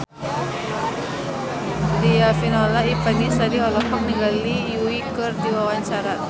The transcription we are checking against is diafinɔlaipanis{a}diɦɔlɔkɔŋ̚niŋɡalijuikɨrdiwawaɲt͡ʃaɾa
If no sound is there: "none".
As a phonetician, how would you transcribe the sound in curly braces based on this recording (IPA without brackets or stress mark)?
a